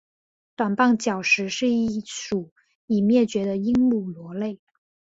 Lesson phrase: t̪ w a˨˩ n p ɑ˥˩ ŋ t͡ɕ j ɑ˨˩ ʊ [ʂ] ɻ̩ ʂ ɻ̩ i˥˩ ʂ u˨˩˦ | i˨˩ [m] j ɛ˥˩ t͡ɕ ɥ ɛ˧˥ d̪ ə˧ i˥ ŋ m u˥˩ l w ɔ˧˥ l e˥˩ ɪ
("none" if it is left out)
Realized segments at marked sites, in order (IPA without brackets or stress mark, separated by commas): ʂ, m